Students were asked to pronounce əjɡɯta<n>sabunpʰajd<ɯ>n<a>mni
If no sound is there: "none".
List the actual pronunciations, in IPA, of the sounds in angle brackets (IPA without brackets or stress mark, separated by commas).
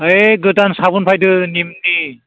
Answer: n, ɯ, i